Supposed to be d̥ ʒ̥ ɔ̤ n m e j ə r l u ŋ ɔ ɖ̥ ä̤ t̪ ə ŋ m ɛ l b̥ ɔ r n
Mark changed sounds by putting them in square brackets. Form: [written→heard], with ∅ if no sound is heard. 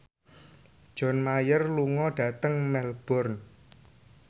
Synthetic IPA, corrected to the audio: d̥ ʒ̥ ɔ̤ n m [e→a] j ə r l u ŋ ɔ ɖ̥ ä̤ t̪ ə ŋ m ɛ l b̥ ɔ r n